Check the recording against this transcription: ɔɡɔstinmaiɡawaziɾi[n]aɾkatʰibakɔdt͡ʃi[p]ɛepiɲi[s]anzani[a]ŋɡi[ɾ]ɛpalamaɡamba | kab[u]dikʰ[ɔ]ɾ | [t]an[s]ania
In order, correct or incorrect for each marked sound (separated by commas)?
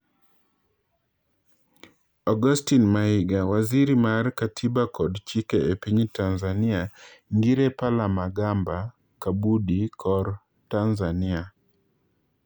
incorrect, incorrect, incorrect, correct, correct, correct, correct, correct, incorrect